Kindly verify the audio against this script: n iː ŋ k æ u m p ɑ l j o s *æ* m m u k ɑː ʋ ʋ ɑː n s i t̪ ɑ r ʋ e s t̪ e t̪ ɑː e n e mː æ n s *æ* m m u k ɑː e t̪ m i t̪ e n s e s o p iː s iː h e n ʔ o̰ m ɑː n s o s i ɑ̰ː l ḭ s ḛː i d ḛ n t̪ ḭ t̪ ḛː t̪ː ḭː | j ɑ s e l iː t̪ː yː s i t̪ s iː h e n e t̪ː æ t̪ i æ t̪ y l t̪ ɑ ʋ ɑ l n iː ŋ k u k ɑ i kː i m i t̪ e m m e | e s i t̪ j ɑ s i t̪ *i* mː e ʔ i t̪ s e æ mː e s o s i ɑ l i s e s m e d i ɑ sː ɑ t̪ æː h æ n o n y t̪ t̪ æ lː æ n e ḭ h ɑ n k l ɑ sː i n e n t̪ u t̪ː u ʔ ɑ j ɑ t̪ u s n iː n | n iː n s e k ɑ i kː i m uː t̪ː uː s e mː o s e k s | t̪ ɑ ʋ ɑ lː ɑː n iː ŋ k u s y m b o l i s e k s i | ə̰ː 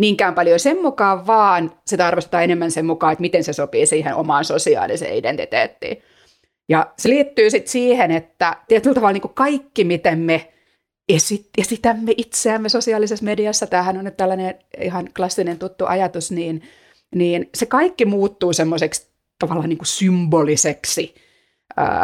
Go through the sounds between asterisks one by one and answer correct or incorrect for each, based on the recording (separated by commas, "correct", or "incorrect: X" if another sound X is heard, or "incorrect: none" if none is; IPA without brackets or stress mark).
incorrect: e, incorrect: e, incorrect: æ